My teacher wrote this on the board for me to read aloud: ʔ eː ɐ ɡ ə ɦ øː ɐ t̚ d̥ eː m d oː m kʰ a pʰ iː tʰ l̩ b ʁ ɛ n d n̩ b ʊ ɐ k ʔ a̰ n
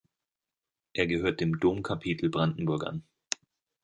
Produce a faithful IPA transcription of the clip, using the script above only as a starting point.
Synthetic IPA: ʔ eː ɐ ɡ ə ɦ øː ɐ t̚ d̥ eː m d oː m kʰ a pʰ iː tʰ l̩ b ʁ a n d n̩ b ʊ ɐ k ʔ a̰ n